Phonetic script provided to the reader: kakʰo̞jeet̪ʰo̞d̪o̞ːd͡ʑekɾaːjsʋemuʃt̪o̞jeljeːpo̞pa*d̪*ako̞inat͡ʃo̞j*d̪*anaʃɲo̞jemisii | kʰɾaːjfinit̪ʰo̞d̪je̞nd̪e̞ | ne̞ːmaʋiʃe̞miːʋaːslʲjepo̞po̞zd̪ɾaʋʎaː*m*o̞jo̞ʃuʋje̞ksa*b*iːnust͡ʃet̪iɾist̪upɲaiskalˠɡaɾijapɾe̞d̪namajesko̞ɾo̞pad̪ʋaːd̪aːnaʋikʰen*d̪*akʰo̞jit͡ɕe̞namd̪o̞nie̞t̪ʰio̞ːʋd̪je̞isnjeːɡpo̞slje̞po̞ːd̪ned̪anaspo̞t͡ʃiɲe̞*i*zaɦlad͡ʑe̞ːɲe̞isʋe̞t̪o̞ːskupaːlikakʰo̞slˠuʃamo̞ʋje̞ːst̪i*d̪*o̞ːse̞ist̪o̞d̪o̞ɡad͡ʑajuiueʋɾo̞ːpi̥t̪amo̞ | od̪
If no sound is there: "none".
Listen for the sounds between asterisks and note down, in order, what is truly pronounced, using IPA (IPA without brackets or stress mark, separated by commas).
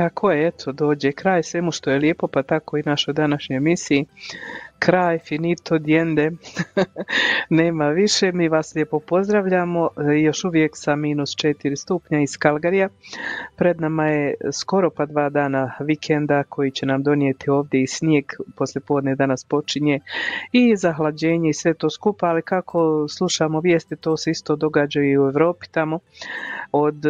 t̪, d̪, m, m, d̪, i, t̪